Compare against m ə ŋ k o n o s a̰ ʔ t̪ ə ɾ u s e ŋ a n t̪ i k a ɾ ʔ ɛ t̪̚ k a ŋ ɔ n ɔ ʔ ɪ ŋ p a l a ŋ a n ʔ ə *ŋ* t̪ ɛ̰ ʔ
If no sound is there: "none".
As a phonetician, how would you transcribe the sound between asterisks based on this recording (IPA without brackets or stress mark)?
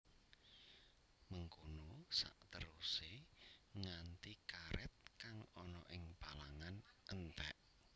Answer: n